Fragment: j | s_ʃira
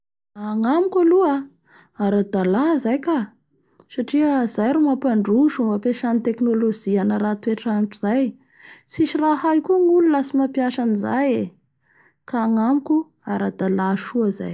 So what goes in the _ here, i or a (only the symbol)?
i